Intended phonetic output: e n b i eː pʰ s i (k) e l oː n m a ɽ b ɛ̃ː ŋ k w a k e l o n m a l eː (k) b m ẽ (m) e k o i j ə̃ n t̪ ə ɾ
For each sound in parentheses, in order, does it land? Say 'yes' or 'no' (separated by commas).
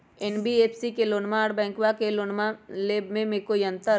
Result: yes, no, yes